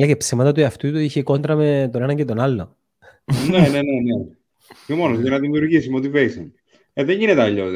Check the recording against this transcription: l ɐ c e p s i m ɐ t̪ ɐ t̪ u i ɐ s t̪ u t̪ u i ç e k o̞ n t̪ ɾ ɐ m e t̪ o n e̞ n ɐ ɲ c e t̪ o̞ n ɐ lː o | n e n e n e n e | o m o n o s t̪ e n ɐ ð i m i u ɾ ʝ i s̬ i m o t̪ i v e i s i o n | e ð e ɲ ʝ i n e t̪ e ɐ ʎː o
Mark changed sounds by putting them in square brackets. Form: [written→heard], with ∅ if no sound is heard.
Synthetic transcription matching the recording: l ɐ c e p s i m ɐ t̪ ɐ t̪ u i ɐ [s→f] t̪ u t̪ u i ç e k o̞ n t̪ ɾ ɐ m e t̪ o n e̞ n ɐ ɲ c e t̪ o̞ n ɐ lː o | n e n e n e n e | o m o n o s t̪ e n ɐ ð i m i u ɾ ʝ i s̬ i m o t̪ i v e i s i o n | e ð e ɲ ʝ i n e t̪ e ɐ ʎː o